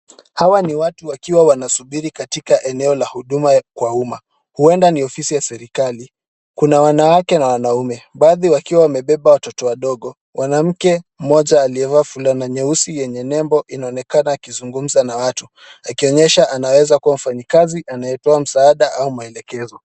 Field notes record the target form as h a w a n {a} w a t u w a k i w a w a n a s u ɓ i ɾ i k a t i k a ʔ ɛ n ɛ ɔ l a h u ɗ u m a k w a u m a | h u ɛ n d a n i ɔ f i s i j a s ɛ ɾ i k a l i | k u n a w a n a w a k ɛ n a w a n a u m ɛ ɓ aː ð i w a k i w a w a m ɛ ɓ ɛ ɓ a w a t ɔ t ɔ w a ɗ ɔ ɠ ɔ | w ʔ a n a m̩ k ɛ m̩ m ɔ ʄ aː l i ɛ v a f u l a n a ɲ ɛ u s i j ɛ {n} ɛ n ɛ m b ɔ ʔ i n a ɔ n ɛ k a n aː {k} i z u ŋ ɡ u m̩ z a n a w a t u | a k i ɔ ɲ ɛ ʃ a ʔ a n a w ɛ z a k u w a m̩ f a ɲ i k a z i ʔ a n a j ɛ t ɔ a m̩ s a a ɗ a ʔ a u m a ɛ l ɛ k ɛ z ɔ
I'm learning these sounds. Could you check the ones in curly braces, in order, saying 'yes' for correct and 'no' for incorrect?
no, no, yes

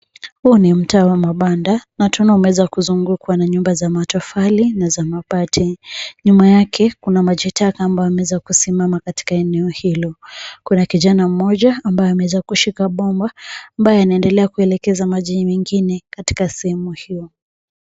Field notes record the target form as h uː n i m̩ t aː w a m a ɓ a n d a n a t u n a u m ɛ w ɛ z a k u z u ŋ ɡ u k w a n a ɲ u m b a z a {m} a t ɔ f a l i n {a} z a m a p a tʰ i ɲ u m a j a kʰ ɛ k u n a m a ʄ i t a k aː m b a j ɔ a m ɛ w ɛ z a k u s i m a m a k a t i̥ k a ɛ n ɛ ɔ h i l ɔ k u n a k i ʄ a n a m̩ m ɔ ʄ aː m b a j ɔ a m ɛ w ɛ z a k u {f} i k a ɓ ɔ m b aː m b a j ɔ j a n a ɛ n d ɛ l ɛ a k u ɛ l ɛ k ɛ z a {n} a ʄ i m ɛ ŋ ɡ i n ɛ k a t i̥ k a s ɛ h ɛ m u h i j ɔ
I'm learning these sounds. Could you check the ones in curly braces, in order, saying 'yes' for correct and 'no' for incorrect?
yes, yes, no, no

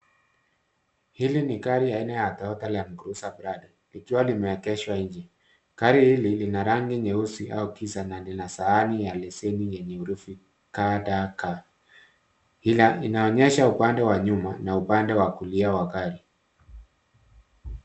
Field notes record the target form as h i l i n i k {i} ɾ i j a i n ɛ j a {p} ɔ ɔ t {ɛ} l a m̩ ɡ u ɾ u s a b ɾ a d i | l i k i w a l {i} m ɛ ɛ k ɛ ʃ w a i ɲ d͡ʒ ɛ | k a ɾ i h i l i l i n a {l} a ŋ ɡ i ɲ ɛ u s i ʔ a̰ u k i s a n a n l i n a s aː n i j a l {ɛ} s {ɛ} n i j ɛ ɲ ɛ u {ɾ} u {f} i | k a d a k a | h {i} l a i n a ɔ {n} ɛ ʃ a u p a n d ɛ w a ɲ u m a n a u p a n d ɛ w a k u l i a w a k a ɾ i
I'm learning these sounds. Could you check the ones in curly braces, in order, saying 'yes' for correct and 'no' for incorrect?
no, no, no, yes, no, yes, yes, yes, yes, yes, no

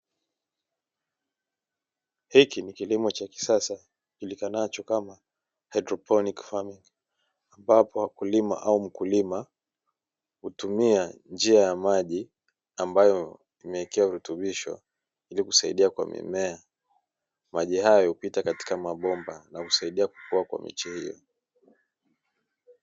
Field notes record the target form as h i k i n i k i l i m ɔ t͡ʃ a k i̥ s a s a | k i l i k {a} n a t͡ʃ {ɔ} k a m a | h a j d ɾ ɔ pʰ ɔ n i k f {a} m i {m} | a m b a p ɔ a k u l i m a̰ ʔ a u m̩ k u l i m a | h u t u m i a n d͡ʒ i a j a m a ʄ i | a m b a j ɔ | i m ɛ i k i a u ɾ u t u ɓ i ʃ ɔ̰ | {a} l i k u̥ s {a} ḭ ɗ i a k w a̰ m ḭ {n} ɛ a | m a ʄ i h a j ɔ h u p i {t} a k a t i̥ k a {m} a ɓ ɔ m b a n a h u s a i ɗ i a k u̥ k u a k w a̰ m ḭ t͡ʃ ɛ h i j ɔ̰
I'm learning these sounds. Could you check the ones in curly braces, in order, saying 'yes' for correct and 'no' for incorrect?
yes, yes, yes, no, no, yes, no, yes, yes

